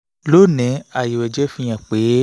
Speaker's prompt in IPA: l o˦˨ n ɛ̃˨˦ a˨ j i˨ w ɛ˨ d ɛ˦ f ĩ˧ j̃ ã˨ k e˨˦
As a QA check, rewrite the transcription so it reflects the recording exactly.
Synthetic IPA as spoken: l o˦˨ n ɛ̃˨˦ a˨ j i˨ w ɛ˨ d͡ʒ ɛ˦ f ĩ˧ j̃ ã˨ k͡p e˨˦

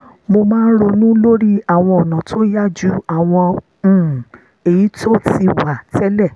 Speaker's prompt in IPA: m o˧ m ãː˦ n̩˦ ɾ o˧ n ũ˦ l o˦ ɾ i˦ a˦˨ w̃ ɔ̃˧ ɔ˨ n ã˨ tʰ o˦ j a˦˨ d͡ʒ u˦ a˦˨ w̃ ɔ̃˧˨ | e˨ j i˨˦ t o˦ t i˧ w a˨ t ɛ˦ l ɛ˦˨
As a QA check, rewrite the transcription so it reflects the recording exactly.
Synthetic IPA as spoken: m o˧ m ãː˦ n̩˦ ɾ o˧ n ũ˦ l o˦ ɾ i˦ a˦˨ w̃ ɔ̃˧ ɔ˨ n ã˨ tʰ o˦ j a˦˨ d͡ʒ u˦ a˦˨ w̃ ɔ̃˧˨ | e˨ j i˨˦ t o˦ t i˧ w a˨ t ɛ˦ l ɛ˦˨

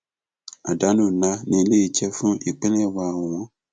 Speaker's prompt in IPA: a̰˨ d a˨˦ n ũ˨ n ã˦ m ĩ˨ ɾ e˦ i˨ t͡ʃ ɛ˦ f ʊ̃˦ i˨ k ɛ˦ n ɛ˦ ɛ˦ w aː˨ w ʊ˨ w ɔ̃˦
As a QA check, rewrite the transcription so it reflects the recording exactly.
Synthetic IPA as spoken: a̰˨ d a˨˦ n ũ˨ n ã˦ n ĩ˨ l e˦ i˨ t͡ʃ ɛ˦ f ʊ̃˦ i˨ k͡p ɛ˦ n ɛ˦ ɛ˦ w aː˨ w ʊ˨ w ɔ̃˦

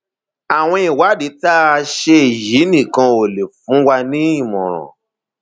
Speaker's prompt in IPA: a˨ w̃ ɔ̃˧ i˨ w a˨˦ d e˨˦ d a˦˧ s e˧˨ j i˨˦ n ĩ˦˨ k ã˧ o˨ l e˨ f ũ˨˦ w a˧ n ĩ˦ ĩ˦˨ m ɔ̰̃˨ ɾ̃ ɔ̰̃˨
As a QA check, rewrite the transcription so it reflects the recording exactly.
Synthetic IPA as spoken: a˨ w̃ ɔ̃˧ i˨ w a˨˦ d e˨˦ t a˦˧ ʃ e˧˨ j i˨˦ n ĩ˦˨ k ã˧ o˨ l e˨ f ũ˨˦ w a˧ n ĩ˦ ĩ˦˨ m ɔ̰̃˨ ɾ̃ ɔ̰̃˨

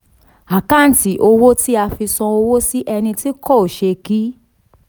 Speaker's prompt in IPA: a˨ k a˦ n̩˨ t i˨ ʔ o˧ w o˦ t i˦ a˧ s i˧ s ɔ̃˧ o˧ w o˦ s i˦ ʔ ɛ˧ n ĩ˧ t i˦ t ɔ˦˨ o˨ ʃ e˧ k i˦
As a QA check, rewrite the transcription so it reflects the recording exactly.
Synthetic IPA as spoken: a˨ k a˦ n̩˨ t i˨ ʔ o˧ w o˦ t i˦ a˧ f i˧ s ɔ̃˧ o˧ w o˦ s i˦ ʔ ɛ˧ n ĩ˧ t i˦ k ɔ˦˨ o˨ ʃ e˧ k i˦

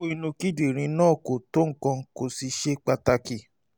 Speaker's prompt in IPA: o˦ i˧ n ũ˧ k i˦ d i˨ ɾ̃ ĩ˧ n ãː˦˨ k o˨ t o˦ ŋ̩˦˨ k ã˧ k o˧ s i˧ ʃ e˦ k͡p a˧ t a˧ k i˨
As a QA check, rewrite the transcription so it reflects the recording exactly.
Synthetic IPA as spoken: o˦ i˧ n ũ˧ k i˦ d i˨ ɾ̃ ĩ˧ n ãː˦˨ k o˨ t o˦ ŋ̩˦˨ k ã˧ k o˧ s i˧ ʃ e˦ k͡p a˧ t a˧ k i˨

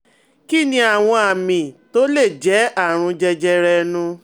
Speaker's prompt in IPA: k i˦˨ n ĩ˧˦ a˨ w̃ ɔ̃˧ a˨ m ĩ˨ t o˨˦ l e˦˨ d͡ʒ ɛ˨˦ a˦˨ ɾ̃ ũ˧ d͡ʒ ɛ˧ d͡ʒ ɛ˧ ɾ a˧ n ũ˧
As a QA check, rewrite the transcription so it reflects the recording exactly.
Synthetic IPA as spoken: k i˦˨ n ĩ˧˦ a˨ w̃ ɔ̃˧ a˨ m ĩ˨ t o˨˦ l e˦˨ d͡ʒ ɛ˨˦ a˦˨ ɾ̃ ũ˧ d͡ʒ ɛ˧ d͡ʒ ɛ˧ ɾ ɛ˧ n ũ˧

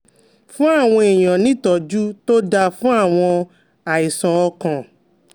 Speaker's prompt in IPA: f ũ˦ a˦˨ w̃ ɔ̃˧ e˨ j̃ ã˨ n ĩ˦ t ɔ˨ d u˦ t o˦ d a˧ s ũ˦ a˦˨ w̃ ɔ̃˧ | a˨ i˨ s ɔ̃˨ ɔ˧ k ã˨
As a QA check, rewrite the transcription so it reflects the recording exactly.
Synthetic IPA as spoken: f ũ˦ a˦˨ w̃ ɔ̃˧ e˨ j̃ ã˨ n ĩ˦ t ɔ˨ d͡ʒ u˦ t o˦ d a˧ f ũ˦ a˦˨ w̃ ɔ̃˧ | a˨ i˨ s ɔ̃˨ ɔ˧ k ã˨

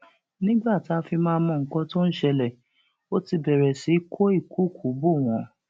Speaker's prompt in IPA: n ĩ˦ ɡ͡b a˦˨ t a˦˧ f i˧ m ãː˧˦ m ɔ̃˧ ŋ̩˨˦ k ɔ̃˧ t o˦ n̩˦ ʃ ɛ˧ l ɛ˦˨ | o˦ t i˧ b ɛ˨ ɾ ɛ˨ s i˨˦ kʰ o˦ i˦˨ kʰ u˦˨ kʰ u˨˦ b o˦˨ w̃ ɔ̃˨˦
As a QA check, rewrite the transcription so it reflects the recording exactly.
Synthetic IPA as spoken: n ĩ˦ ɡ͡b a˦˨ t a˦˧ f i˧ m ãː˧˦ m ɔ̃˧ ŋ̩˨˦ k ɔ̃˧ t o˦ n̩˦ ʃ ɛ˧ l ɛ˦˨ | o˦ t i˧ b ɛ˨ ɾ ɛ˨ s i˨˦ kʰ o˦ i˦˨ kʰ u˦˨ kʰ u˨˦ b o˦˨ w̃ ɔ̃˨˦

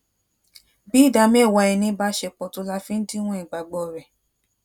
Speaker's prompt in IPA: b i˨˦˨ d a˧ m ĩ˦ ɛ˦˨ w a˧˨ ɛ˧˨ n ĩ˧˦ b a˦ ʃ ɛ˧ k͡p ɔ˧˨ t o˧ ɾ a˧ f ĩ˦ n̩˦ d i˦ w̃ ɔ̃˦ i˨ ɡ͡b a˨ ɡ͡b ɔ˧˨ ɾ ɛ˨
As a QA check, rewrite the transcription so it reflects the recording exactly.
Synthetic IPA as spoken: b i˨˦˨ d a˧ m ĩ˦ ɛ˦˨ w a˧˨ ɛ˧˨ n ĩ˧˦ b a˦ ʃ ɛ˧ k͡p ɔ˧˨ t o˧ l a˧ f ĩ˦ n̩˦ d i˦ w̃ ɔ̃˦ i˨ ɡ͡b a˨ ɡ͡b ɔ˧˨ ɾ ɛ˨

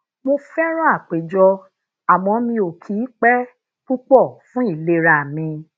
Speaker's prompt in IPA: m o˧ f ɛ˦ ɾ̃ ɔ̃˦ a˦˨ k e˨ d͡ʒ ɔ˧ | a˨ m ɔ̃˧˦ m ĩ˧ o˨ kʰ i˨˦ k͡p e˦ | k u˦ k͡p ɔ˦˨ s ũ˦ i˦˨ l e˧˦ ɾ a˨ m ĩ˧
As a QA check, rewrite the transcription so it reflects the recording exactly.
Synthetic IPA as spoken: m o˧ f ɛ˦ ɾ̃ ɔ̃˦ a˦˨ k͡p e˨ d͡ʒ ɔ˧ | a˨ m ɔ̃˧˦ m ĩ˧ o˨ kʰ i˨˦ k͡p ɛ˦ | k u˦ k͡p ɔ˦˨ f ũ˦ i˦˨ l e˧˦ ɾ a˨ m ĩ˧

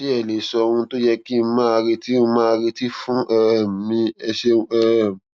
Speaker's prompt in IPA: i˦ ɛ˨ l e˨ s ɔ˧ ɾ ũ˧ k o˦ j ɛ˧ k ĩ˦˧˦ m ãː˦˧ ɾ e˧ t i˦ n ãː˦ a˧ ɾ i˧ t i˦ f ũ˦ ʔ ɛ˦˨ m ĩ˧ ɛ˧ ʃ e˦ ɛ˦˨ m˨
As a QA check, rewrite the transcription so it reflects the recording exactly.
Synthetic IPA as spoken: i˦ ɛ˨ l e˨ s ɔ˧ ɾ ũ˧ t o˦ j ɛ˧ k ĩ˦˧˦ m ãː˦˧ ɾ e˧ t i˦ m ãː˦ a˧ ɾ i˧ t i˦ f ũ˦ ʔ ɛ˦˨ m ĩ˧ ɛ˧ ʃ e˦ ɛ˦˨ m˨

